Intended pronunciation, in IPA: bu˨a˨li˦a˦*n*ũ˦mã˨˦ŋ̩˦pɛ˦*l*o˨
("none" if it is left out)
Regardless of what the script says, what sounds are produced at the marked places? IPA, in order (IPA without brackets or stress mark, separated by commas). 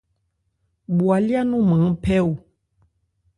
n, none